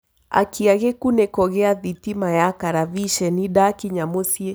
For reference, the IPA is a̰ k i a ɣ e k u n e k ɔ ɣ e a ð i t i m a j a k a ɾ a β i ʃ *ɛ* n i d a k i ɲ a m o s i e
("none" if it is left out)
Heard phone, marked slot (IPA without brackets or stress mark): ɛ